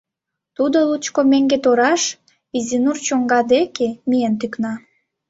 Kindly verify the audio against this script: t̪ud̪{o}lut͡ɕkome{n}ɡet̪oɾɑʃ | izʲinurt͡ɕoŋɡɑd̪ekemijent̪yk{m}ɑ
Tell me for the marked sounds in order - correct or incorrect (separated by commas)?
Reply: correct, incorrect, incorrect